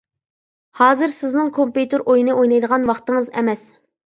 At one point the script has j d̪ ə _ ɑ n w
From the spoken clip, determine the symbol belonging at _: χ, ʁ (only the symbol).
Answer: ʁ